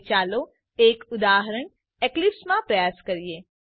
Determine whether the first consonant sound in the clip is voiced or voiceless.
voiceless